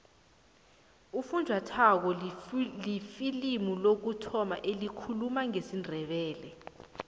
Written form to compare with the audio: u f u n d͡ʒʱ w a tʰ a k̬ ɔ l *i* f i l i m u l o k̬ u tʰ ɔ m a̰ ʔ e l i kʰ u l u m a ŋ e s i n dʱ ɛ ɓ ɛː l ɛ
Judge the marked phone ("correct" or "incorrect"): correct